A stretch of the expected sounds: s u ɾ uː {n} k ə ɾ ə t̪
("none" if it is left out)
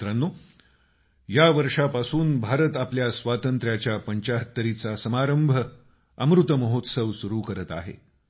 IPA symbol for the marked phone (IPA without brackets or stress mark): none